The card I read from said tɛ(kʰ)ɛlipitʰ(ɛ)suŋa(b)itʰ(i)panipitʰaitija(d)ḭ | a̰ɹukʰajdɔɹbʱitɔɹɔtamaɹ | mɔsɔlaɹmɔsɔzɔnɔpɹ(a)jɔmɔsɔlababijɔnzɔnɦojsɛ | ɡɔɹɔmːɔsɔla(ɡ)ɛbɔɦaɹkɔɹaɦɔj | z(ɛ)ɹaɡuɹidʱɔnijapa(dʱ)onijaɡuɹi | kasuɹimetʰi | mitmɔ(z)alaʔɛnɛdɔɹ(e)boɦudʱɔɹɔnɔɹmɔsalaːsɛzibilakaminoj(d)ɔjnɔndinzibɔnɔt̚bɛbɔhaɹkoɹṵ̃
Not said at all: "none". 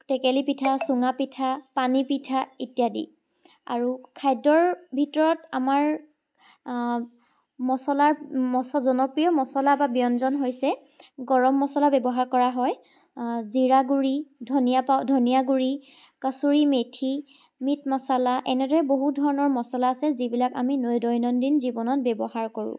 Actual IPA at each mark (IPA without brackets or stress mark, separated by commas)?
k, a, p, a, d, i, b, i, dʱ, s, ɛ, d